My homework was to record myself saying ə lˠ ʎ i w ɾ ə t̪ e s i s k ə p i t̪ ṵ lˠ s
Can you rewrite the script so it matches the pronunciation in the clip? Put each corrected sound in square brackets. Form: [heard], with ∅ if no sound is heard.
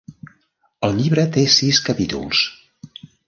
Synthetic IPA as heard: ə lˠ ʎ i [β] ɾ ə t̪ e s i s k ə p i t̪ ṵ lˠ s